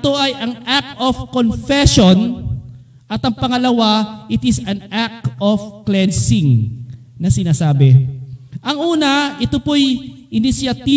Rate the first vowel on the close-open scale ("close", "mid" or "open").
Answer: mid